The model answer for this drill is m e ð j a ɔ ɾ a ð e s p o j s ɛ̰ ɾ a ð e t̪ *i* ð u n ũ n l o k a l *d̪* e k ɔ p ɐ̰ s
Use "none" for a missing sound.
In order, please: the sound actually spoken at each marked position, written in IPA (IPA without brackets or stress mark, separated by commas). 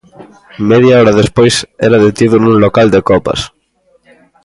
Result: i, d̪